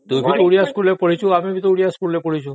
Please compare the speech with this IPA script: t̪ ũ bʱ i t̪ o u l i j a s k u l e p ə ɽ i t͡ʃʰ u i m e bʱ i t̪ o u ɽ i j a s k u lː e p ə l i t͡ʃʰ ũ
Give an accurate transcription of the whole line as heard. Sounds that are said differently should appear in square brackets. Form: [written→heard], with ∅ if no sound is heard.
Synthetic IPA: t̪ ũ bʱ i t̪ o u [l→ɽ] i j a s k u l e p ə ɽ i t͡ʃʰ u [i→a] m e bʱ i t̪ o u ɽ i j a s k u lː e p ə [l→ɽ] i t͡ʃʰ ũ